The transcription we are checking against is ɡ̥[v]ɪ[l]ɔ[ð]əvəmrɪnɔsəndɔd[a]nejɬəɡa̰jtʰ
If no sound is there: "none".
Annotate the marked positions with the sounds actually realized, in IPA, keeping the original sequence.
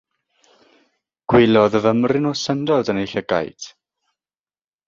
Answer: w, l, ð, ə

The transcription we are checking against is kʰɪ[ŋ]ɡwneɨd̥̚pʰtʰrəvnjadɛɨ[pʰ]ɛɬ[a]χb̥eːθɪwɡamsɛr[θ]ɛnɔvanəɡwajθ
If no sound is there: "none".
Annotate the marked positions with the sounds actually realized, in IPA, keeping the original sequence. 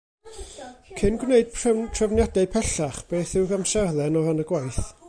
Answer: n, pʰ, a, ð

